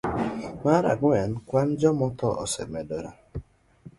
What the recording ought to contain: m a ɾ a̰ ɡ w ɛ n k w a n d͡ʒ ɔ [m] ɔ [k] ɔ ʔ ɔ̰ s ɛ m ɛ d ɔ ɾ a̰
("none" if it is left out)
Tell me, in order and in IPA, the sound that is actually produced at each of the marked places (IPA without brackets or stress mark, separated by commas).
m, t